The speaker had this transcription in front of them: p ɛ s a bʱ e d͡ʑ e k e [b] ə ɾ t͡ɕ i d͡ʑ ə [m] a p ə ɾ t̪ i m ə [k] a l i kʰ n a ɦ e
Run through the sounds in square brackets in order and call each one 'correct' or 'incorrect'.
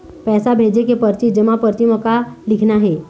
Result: incorrect: p, correct, correct

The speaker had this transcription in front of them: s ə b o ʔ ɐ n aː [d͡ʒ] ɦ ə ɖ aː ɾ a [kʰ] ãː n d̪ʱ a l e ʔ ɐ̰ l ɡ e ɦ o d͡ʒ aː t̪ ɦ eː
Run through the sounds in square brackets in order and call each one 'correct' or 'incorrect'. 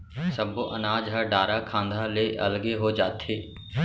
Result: correct, correct

